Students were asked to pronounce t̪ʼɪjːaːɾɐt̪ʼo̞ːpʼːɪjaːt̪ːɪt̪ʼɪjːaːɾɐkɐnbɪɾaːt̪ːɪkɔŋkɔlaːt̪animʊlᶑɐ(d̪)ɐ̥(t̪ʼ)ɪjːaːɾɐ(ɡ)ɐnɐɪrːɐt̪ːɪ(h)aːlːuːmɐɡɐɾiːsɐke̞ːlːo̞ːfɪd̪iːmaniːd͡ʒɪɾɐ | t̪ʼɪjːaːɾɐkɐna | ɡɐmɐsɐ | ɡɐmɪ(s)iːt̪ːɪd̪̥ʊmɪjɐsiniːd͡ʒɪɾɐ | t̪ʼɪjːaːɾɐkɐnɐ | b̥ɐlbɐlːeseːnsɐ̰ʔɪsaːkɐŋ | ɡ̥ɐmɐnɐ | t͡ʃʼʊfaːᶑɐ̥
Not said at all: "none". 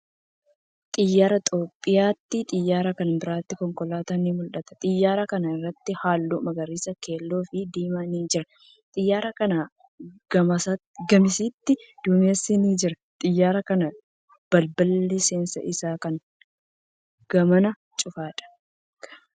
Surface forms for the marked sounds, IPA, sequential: t̪, t̪ʼ, k, h, s

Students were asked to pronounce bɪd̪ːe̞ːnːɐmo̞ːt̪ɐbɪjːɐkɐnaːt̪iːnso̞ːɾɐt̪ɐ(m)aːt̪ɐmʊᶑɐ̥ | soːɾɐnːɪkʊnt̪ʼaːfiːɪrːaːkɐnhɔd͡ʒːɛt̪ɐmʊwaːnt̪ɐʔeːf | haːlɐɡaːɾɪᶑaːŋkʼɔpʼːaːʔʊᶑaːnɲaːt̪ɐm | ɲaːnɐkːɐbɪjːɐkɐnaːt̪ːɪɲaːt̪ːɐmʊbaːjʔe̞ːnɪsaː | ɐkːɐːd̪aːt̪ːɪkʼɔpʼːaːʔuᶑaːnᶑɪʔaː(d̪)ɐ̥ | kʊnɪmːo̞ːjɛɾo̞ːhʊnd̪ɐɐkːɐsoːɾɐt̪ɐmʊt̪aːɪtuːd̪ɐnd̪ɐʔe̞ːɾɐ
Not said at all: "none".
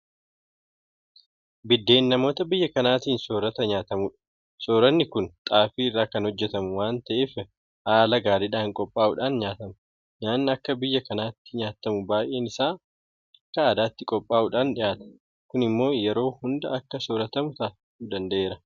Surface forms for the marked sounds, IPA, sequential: ɲ, t̪

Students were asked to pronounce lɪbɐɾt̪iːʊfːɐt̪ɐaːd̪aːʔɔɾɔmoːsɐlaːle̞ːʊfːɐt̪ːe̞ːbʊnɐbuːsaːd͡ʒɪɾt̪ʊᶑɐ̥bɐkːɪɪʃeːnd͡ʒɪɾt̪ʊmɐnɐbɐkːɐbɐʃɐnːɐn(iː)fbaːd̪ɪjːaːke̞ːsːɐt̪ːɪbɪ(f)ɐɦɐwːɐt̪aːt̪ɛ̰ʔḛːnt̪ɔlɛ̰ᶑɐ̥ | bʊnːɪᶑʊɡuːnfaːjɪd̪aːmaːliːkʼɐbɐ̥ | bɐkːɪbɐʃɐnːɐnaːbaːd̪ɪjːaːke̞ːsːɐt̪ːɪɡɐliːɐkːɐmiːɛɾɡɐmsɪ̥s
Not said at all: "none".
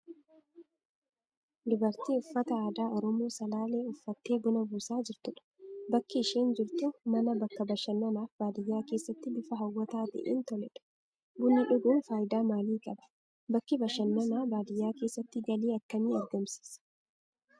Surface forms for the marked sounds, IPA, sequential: aː, f

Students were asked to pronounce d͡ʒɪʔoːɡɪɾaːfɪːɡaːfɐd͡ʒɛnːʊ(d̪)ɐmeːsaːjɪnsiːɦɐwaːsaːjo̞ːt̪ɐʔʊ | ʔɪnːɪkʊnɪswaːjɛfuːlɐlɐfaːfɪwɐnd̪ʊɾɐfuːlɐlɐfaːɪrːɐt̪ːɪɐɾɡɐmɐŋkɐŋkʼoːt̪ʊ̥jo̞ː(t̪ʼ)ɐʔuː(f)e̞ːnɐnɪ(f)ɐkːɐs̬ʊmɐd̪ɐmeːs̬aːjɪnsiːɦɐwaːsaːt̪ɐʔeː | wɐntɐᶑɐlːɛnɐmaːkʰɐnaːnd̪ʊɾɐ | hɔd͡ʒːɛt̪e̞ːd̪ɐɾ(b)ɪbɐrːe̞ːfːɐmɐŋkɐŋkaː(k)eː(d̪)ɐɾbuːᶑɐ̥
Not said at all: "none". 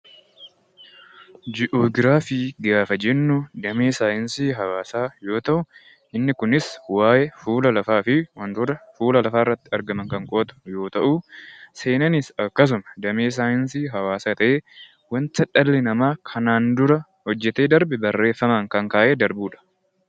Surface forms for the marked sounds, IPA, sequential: d̪, t̪, s, s, b, ʔ, d̪

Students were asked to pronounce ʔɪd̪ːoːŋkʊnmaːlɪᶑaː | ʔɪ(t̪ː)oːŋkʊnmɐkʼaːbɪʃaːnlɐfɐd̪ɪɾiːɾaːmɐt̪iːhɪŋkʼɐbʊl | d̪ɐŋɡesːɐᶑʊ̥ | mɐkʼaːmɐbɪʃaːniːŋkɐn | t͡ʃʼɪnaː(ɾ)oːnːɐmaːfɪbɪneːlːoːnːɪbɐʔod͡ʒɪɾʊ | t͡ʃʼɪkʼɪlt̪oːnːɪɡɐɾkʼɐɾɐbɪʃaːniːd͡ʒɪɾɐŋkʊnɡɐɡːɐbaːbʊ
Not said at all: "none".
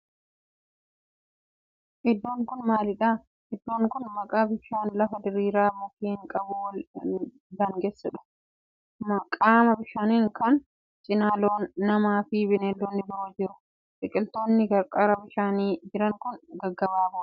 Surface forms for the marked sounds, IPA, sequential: d̪ː, l

